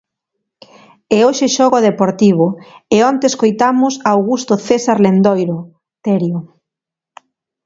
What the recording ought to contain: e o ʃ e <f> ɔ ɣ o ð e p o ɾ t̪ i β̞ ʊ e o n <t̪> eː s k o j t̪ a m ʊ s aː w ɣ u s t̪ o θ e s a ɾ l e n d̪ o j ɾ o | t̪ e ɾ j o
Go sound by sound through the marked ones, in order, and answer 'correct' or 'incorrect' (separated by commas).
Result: incorrect, correct